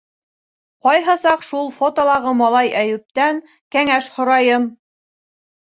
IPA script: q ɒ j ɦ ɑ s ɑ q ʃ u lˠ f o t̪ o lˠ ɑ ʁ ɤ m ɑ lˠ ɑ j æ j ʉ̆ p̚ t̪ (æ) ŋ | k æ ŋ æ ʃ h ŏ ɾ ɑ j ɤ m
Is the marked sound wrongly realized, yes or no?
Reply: no